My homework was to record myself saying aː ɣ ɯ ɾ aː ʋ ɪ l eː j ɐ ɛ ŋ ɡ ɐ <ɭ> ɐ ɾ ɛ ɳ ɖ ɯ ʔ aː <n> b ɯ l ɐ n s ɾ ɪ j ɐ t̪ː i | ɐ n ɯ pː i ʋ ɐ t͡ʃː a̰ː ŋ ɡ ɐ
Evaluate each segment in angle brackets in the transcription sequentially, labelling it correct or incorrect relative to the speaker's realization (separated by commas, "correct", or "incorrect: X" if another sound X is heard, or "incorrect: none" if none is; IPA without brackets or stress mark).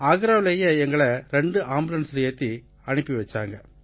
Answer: correct, incorrect: m